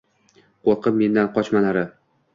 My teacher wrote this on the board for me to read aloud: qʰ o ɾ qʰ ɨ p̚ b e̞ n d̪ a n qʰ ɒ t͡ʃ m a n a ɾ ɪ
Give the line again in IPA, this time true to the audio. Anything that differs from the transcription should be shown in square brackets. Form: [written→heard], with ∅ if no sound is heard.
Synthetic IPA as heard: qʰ o ɾ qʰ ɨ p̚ [b→m] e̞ n d̪ a n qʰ ɒ t͡ʃ m a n a ɾ ɪ